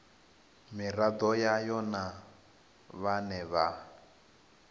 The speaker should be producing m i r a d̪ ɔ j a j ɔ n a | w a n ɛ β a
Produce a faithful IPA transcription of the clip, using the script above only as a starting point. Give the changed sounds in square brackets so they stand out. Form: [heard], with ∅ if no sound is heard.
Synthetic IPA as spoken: m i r a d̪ ɔ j a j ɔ n a | [β] a n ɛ β a